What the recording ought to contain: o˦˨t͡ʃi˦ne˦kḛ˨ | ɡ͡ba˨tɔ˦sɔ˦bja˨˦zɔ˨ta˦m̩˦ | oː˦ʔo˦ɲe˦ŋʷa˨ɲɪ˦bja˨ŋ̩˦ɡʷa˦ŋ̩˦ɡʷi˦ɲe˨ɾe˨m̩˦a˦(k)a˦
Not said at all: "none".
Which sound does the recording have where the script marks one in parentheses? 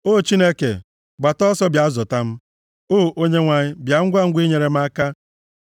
k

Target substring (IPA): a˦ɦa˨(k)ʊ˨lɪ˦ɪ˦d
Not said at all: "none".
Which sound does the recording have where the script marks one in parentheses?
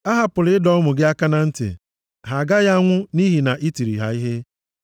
p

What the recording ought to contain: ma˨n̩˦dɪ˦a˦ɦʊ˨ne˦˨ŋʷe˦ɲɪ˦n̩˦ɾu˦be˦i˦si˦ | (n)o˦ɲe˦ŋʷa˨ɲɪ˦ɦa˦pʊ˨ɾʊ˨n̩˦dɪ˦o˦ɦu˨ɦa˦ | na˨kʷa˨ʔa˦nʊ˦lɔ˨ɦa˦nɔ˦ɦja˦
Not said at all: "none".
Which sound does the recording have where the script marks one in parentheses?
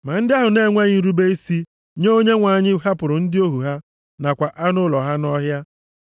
ɲ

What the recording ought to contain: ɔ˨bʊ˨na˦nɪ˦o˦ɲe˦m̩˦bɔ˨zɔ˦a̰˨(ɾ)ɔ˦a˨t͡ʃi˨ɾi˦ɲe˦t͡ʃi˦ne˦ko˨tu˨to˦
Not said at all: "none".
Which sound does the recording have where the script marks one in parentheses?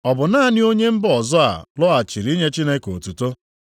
l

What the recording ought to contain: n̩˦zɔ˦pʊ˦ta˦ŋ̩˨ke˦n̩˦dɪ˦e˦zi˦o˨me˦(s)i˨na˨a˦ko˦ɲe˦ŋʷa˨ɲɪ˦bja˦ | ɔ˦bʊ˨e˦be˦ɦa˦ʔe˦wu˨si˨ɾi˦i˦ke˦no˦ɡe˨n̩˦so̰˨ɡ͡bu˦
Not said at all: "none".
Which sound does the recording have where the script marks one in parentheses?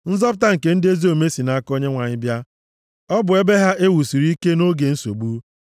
s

